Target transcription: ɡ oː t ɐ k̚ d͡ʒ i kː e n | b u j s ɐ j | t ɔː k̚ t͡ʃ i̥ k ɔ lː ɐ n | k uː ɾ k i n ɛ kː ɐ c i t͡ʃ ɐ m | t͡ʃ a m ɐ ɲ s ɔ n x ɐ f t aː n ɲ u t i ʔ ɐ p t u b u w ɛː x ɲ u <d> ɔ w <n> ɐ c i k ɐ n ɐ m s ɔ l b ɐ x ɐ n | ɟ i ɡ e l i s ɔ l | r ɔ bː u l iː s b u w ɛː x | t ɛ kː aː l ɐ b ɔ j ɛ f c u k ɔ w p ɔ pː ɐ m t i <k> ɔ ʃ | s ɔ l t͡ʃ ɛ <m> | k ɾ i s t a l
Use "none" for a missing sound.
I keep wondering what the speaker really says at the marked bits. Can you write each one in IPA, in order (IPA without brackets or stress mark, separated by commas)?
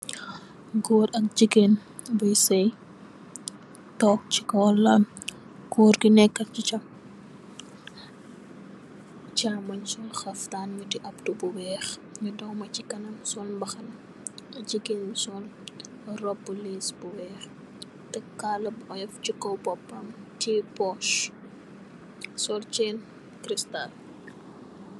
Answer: d, m, p, n